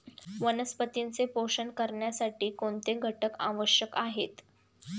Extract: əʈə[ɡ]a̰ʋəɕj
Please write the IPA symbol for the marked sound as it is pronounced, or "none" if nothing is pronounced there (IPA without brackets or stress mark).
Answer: k